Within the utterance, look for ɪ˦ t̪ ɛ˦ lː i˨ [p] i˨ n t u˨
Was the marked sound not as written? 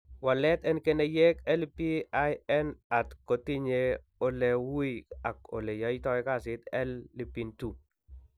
no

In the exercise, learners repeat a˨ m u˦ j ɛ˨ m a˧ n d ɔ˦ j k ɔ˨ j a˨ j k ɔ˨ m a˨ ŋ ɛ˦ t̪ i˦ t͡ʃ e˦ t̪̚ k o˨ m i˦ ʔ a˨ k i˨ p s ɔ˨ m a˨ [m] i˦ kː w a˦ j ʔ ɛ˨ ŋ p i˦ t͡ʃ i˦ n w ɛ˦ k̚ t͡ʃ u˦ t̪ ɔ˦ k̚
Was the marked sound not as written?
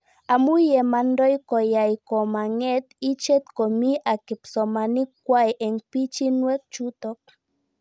yes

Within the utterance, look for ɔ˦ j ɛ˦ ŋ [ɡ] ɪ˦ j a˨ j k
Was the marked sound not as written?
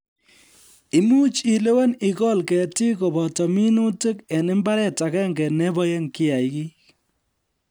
yes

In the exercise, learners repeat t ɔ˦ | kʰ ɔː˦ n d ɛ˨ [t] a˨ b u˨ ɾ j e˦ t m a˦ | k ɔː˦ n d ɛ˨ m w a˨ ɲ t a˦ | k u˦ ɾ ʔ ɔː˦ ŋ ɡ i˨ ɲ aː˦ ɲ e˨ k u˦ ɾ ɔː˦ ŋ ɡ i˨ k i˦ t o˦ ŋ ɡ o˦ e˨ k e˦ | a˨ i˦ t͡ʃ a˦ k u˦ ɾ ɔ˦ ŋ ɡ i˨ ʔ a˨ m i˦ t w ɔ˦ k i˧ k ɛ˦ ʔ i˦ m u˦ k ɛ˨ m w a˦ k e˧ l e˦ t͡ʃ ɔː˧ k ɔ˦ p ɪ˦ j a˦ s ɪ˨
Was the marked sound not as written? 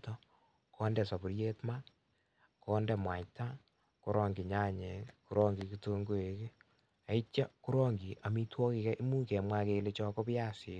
yes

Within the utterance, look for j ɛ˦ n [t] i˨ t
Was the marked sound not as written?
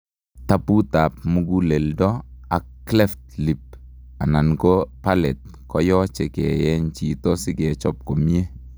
yes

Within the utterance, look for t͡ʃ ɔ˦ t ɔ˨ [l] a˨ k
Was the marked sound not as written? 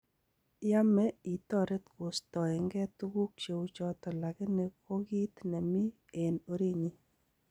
no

